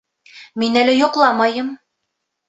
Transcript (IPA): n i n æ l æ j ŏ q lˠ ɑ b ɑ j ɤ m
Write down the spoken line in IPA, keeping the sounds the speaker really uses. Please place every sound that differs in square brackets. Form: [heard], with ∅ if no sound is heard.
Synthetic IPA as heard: [m] i n æ l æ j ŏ q lˠ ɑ [m] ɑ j ɤ m